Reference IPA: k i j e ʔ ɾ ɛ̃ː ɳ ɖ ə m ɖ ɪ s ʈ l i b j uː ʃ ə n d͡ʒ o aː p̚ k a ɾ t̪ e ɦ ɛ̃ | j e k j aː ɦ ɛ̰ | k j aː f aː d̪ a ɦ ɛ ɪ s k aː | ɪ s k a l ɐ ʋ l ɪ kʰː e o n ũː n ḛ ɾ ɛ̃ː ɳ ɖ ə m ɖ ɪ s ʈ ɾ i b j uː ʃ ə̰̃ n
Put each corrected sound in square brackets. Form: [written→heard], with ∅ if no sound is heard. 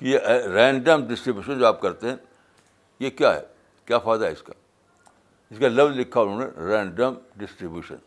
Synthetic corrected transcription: k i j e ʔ ɾ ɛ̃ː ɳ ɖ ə m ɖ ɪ s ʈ [l→ɾ] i b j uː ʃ ə n d͡ʒ o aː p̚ k [a→ɐ] ɾ t̪ e ɦ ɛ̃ | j e k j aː ɦ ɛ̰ | k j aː f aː d̪ a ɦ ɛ ɪ s k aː | ɪ s k a l ɐ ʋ l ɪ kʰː [e→a] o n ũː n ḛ ɾ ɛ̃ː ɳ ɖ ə m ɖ ɪ s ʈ ɾ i b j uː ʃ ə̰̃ n